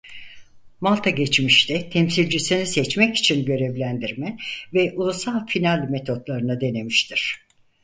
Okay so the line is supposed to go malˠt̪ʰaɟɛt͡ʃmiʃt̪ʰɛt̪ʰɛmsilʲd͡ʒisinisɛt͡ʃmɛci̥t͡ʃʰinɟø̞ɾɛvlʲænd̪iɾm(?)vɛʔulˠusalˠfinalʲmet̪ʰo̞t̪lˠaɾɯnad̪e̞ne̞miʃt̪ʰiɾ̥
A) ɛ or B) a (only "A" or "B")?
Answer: A